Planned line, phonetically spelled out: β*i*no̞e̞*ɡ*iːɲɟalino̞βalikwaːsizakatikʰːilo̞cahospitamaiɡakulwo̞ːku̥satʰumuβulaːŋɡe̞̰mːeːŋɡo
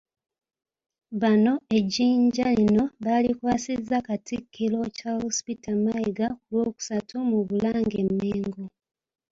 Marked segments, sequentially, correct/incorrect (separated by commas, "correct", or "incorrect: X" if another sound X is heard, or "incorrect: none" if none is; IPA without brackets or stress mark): incorrect: a, incorrect: ɟ